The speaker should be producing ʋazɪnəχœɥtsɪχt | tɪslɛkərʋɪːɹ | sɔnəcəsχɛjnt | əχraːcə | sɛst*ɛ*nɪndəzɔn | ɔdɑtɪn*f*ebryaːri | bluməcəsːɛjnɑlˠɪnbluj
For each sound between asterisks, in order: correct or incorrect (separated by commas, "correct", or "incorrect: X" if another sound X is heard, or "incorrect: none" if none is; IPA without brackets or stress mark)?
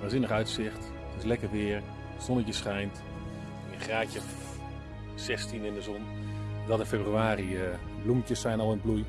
incorrect: i, correct